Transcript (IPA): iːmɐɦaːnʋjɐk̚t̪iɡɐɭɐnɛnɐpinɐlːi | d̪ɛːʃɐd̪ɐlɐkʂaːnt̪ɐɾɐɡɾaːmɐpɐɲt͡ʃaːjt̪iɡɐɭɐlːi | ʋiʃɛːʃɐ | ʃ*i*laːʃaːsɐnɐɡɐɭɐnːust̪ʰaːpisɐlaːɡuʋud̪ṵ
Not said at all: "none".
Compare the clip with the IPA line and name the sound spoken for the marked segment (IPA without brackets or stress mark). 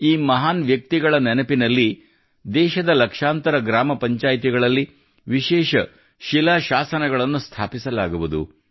i